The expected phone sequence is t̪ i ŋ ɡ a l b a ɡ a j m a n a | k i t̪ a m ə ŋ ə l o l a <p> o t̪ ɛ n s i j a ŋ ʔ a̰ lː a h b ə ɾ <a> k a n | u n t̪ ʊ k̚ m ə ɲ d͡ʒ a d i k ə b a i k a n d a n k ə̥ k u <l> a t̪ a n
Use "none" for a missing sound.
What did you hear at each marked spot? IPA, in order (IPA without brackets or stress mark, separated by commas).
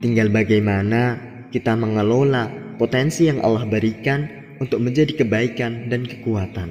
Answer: p, i, none